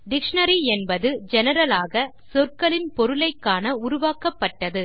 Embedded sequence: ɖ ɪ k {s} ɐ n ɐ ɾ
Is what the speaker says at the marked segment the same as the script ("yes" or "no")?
no